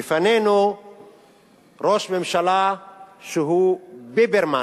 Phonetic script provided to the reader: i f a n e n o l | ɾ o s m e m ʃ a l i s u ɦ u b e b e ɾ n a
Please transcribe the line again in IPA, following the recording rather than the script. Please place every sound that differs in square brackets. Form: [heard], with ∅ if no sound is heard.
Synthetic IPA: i f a n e n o [∅] | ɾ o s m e m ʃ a l [a] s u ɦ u b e b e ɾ [m] a